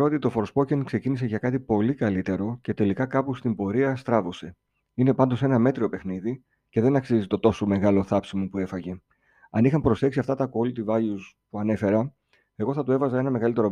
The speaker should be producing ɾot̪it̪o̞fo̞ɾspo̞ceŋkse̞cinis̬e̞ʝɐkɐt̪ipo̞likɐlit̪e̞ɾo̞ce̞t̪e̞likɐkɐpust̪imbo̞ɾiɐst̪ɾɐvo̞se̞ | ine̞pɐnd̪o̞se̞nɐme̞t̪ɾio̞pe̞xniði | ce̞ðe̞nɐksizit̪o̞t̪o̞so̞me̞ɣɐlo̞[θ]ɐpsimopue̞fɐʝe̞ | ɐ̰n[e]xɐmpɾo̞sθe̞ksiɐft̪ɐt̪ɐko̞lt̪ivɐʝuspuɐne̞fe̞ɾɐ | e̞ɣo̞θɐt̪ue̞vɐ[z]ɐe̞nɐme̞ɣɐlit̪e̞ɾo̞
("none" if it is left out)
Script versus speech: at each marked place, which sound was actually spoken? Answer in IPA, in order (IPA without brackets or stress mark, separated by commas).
θ, i, z